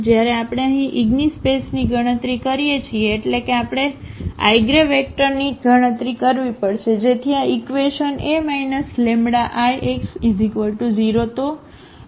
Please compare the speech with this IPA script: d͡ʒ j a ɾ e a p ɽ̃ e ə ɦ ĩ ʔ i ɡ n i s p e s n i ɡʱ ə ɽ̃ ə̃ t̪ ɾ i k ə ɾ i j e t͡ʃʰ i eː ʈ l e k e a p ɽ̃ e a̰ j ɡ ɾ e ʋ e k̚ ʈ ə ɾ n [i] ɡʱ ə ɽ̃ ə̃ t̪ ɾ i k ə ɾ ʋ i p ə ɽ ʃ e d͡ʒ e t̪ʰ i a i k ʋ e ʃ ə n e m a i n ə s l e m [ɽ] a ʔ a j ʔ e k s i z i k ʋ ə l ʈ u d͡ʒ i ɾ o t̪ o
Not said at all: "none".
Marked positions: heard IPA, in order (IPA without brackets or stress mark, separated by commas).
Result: i, ɽ